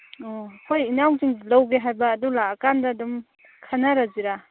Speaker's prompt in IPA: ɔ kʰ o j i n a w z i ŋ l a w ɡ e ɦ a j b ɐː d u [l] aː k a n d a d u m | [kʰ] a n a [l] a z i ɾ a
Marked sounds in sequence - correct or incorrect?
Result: correct, correct, incorrect: ɾ

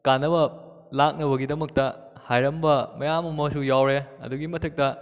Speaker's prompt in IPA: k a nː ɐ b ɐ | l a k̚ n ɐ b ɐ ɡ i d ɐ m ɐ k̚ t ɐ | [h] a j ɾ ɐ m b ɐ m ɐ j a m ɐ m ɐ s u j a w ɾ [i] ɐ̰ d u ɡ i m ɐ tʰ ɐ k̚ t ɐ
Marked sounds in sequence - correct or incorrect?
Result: correct, incorrect: e

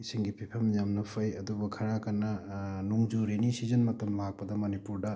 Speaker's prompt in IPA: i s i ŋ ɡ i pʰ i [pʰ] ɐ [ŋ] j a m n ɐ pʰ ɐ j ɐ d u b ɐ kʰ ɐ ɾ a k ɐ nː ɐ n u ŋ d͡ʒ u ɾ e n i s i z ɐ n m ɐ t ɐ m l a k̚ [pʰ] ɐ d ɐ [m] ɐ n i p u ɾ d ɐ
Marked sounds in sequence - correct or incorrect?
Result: correct, incorrect: m, incorrect: p, correct

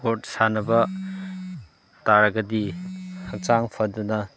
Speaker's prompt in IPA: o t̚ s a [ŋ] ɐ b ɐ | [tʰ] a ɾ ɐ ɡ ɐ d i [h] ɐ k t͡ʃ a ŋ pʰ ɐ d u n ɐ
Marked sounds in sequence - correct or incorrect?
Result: incorrect: n, incorrect: t, correct

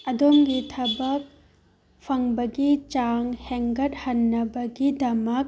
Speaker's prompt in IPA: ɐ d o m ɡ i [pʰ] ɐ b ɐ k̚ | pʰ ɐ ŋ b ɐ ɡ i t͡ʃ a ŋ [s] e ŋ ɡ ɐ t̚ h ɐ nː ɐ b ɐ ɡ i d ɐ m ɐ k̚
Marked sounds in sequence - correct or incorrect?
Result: incorrect: tʰ, incorrect: h

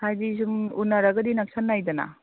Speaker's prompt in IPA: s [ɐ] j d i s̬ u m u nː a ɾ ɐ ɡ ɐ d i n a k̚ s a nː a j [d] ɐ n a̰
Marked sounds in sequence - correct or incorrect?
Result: incorrect: a, correct

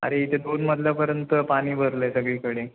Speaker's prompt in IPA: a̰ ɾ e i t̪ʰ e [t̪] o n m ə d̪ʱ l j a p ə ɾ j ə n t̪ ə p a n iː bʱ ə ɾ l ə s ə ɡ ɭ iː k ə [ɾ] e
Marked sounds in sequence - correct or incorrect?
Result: incorrect: d̪, incorrect: ɽ

